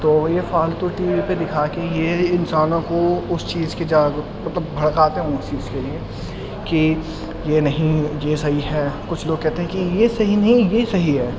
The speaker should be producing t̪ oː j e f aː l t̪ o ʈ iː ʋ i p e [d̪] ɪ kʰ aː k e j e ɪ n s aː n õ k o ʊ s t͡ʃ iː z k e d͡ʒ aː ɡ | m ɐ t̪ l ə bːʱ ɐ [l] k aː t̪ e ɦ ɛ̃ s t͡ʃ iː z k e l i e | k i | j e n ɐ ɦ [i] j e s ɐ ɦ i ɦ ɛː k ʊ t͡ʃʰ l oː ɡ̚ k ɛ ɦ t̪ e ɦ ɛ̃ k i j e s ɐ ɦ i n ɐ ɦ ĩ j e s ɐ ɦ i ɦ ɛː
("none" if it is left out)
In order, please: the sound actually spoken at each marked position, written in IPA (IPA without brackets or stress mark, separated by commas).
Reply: d̪, ɽ, ĩ